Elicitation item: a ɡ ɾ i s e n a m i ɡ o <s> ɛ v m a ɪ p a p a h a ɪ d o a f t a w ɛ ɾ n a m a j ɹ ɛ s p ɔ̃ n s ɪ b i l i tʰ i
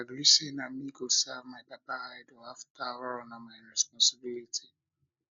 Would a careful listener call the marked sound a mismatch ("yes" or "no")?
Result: no